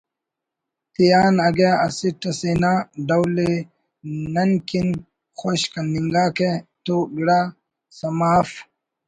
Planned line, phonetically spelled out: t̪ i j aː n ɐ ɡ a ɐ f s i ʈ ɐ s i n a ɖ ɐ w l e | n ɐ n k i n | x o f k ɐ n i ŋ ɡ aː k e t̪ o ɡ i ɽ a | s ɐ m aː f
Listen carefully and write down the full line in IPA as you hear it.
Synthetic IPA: t̪ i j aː n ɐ ɡ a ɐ s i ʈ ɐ s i n a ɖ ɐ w l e | n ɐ n k i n | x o ɕ k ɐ n i ŋ ɡ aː k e t̪ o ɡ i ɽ a | s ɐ m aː f